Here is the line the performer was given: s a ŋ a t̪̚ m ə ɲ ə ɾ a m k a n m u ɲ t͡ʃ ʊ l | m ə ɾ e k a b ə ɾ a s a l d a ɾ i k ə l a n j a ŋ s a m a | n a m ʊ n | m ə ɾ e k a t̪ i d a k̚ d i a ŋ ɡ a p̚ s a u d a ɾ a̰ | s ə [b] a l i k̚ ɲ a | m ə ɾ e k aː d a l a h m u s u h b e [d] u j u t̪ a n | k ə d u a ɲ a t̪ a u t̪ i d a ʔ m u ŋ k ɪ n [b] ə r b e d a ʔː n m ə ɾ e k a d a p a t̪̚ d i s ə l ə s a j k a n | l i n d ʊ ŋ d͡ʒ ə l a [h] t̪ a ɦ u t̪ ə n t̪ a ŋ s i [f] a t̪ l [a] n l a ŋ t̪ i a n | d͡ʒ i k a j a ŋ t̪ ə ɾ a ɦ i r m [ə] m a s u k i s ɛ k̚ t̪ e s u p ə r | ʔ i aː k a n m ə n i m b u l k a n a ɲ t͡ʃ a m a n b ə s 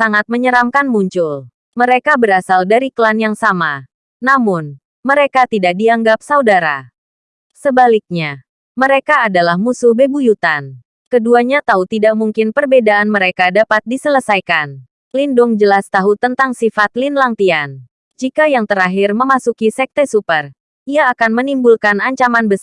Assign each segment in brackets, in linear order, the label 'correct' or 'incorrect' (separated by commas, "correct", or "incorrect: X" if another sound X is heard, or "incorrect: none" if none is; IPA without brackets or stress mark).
correct, incorrect: b, incorrect: p, incorrect: s, correct, incorrect: i, correct